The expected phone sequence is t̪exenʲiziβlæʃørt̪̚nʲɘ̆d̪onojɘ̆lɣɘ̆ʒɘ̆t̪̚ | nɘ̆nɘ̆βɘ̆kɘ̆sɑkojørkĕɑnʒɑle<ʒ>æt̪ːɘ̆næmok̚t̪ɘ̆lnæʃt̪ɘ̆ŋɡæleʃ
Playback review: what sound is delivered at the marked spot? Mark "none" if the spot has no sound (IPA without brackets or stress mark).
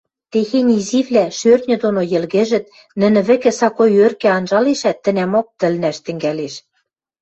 ʃ